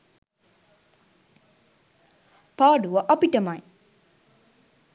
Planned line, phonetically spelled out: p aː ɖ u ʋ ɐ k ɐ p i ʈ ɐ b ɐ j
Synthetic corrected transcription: p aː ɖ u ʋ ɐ ʔ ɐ p i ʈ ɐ m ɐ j